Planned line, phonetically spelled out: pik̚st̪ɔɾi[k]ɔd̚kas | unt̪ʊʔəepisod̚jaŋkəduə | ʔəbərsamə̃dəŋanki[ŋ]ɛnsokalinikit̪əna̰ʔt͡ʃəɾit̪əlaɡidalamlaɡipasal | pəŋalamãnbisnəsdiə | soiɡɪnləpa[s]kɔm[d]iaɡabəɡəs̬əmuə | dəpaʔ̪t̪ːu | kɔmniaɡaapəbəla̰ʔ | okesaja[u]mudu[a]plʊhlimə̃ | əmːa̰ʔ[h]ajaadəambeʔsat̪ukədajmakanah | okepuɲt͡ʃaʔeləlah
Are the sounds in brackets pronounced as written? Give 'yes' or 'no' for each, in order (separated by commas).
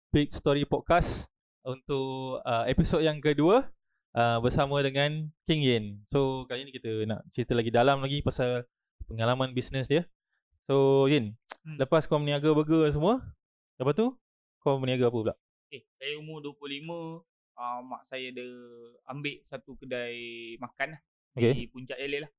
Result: no, yes, yes, no, yes, no, no